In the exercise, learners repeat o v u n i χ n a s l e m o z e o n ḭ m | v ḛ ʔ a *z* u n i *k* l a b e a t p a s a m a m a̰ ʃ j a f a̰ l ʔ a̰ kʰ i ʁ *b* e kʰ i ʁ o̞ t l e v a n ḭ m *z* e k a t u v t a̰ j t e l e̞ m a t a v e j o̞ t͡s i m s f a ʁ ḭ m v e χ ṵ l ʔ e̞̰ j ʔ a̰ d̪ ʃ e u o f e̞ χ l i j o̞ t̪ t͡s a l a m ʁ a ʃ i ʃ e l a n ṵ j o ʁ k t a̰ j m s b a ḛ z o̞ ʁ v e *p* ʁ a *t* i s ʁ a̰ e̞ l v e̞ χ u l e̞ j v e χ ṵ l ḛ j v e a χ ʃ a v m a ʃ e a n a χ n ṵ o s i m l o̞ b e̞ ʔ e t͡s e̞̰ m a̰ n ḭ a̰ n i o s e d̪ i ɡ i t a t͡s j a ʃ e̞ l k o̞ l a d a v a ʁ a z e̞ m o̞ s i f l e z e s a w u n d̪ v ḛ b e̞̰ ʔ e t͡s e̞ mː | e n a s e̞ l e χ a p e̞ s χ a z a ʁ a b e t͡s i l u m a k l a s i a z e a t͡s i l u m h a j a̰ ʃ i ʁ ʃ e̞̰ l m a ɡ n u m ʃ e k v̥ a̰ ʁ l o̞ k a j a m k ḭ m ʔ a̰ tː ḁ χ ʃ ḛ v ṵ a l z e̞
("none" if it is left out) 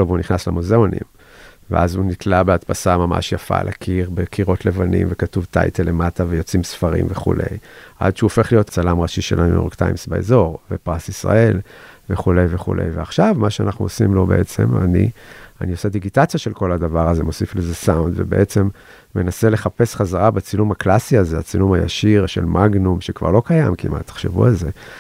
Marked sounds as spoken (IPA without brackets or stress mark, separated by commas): z, t, b, v, p, s